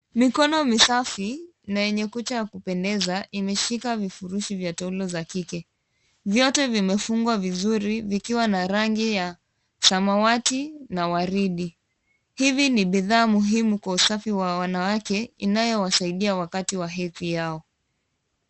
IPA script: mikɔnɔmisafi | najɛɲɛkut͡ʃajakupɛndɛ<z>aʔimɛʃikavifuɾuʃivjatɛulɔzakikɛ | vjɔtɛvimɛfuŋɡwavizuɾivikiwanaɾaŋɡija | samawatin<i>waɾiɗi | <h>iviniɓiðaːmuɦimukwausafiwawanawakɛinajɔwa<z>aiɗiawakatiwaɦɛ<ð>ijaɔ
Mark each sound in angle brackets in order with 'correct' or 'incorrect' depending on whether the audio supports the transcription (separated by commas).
correct, incorrect, correct, incorrect, incorrect